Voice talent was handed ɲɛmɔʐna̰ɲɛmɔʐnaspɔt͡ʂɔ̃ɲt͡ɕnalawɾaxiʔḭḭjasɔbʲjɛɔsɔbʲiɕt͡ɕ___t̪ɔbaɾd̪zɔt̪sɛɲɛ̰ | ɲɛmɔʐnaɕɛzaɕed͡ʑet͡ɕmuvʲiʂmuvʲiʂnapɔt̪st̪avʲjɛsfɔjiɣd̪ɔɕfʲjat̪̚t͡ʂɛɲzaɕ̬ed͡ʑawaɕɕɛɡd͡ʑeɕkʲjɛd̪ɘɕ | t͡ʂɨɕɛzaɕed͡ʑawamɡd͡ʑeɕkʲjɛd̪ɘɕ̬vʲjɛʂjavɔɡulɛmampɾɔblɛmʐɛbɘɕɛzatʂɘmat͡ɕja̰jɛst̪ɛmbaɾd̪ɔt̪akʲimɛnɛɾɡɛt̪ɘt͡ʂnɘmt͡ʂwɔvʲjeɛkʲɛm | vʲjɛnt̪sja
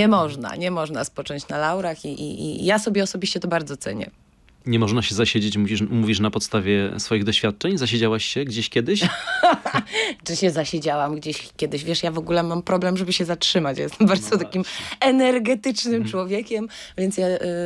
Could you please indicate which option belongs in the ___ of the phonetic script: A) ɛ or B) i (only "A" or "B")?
A